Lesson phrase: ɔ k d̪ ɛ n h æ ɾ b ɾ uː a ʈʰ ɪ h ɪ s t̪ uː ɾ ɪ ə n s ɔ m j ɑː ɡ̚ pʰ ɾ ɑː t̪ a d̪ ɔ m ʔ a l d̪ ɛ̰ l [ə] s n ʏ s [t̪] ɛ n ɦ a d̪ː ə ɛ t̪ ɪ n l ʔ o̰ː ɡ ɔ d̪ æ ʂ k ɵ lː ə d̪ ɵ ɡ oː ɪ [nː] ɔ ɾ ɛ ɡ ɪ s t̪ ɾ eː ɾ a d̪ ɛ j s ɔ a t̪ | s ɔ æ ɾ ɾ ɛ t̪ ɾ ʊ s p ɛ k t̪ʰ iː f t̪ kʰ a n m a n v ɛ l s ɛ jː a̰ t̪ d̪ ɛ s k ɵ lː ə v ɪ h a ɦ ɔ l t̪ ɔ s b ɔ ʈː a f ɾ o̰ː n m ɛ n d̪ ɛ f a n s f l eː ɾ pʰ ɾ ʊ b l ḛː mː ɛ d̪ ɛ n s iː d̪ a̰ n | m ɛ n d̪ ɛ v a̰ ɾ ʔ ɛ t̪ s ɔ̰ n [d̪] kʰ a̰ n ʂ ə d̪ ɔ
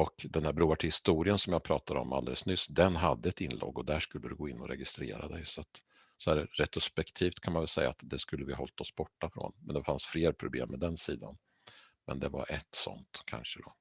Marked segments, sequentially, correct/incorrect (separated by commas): correct, incorrect, correct, incorrect